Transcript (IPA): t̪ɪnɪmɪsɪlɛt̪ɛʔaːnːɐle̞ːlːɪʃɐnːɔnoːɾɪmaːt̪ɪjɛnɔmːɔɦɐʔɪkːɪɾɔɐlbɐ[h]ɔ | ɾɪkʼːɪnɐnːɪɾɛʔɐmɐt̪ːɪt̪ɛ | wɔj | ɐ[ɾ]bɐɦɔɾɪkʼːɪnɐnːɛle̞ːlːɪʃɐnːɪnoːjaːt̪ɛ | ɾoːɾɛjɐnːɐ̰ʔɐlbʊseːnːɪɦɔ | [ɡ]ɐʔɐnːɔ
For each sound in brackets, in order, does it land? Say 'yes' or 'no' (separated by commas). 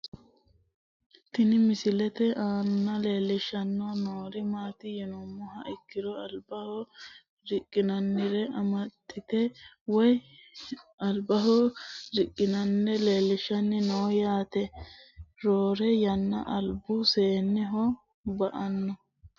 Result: yes, no, no